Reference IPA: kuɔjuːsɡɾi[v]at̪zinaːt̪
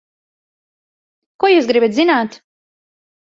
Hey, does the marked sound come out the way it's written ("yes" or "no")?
no